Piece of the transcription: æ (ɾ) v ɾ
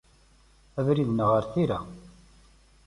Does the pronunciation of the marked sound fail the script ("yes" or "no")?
yes